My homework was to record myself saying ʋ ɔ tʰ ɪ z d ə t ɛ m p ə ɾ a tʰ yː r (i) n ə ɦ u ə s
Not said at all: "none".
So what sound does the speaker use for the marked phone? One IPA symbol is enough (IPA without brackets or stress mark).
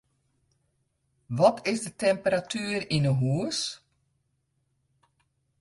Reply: i